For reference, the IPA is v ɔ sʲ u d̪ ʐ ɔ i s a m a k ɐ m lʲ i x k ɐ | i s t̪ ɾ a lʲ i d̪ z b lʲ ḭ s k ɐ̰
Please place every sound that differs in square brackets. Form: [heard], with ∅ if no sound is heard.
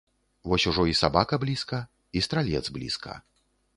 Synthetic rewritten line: v ɔ sʲ u [∅] ʐ ɔ i s a [b] a k ɐ [b] lʲ i [s] k ɐ | i s t̪ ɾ a lʲ [ɛ] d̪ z b lʲ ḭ s k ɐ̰